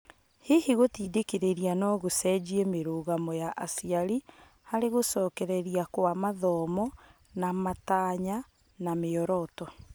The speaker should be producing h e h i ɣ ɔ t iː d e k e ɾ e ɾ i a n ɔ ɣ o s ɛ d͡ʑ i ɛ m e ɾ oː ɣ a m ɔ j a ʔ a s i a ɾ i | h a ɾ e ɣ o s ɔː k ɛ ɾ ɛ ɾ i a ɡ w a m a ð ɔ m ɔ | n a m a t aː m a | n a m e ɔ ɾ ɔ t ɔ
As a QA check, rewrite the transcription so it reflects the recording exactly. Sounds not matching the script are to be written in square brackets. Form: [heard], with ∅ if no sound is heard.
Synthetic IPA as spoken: h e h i ɣ [o] t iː d e k e ɾ e ɾ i a n ɔ ɣ o s ɛ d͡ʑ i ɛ m e ɾ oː ɣ a m ɔ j a ʔ a s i a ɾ i | h a ɾ e ɣ o s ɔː k ɛ ɾ ɛ ɾ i a [k] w a m a ð ɔ m ɔ | n a m a t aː [ɲ] a | n a m e ɔ ɾ ɔ t ɔ